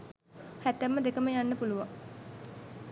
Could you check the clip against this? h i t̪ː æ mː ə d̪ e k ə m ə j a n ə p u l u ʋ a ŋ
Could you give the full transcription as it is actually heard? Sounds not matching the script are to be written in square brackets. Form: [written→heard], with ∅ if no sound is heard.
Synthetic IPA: h [i→æ] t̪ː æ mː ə d̪ e k ə m ə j a [n→nː] ə p u l u ʋ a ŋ